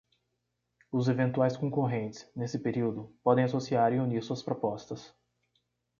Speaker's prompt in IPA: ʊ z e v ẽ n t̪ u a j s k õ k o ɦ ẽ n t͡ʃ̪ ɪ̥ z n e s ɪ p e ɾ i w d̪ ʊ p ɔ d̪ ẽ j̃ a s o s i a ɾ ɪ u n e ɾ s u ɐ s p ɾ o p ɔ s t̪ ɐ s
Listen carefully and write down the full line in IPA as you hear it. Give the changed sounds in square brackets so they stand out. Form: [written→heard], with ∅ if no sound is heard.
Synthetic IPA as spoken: ʊ z e v ẽ n t̪ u a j s k õ k o ɦ ẽ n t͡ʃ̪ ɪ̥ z n e s ɪ p e ɾ i w d̪ ʊ p ɔ d̪ ẽ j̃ a s o s i a ɾ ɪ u n [e→i] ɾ s u ɐ s p ɾ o p ɔ s t̪ ɐ s